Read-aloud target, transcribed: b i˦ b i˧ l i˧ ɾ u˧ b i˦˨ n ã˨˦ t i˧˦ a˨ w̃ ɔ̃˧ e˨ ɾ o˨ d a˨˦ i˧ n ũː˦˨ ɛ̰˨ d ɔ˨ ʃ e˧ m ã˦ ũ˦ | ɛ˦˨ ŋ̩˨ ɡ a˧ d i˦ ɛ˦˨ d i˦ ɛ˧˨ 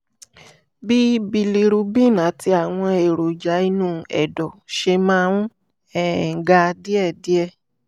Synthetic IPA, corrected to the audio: b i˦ b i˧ l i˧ ɾ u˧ b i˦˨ n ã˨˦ t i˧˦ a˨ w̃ ɔ̃˧ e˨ ɾ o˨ d͡ʒ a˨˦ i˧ n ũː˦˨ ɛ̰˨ d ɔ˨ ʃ e˧ m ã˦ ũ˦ | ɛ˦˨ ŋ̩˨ ɡ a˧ d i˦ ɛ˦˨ d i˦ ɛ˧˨